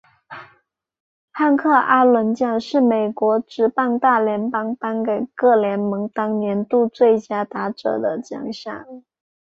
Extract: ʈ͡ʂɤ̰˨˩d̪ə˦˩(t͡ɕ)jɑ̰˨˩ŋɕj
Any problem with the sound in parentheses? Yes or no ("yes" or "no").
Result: no